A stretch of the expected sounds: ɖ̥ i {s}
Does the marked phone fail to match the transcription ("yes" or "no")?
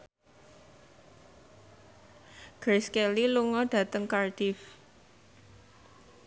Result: yes